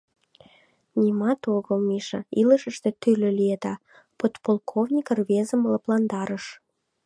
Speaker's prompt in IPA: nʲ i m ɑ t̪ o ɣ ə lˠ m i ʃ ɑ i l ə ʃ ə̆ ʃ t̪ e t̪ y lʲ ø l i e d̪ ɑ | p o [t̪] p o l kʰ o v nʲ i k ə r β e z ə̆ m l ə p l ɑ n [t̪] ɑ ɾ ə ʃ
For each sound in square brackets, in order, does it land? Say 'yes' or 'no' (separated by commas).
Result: yes, no